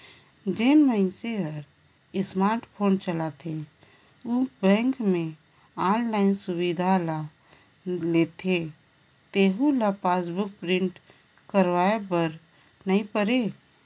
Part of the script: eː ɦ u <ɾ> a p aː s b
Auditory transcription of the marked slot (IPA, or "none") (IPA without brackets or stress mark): l